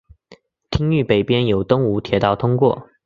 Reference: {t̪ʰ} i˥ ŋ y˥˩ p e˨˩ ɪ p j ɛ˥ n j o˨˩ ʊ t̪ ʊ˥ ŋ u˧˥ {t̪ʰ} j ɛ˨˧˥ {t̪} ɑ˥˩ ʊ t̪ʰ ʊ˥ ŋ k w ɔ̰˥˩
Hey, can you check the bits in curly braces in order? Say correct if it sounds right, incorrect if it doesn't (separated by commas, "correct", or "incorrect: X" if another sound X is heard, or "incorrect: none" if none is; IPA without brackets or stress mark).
correct, correct, correct